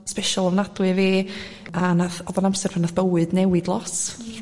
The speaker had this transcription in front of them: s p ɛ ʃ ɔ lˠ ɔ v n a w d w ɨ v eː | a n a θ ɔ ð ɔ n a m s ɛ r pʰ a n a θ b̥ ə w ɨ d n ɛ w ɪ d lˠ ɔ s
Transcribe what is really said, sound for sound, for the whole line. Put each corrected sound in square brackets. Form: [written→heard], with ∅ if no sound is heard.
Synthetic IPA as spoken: s p ɛ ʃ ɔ lˠ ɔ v n a [w→∅] d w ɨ v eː | a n a θ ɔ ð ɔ n a m s ɛ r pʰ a n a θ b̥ ə w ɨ d n ɛ w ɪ d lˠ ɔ s